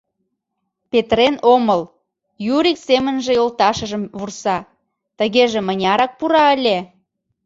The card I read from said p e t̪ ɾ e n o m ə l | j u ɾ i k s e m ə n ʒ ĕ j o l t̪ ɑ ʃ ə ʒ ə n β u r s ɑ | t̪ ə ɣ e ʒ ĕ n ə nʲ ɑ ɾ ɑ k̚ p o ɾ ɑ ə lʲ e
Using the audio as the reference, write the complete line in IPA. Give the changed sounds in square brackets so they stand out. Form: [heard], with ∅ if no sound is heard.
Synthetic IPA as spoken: p e t̪ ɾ e n o m ə l | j u ɾ i k s e m ə n ʒ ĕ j o l t̪ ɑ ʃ ə ʒ ə [m] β u r s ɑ | t̪ ə ɣ e ʒ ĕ [m] ə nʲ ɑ ɾ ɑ k̚ p [u] ɾ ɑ ə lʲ e